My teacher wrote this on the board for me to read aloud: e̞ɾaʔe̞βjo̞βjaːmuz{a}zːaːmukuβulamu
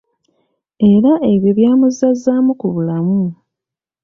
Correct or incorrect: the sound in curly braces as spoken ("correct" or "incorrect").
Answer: correct